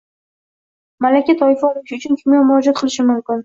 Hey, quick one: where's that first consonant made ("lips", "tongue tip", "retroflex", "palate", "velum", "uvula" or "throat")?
lips